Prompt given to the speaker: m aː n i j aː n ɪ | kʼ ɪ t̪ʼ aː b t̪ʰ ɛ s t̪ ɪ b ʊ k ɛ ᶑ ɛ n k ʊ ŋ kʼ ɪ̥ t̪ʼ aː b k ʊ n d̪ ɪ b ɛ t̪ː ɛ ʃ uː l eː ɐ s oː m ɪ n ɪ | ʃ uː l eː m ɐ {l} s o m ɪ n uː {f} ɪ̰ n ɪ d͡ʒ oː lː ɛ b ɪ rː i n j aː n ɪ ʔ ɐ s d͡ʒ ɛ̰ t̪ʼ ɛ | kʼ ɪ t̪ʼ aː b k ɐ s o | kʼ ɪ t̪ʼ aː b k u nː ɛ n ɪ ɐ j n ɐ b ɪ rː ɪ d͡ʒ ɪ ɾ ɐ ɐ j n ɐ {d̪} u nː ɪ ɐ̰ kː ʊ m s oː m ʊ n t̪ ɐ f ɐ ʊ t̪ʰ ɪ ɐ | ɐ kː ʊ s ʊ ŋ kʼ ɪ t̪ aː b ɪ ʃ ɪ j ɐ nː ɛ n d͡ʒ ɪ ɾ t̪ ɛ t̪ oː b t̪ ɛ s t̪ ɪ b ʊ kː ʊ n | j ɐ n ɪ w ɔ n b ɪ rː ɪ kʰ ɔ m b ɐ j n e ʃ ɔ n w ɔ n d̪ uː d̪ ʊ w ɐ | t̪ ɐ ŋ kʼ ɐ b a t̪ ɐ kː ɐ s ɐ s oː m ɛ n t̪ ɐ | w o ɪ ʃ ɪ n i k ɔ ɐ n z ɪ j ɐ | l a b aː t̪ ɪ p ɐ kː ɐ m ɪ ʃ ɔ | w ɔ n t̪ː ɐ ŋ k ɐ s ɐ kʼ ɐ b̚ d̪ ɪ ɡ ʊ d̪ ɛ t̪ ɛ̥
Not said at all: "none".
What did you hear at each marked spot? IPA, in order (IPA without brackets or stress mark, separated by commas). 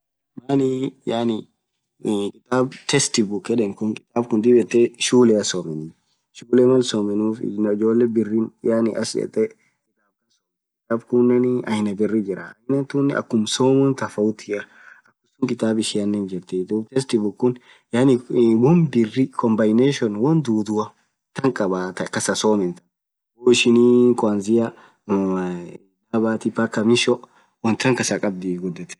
l, f, t̪